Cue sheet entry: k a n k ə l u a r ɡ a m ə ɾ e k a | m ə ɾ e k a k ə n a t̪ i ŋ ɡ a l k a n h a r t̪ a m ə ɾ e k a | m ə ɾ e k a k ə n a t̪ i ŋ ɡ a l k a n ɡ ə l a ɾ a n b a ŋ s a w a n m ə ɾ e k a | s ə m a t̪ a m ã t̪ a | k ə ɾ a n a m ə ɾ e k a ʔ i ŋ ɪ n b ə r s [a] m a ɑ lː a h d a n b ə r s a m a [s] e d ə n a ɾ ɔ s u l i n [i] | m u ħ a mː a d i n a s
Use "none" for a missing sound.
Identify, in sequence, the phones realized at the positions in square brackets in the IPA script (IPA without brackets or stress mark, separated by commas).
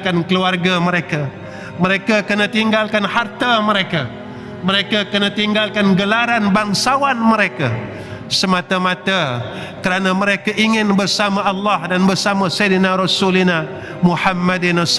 a, s, a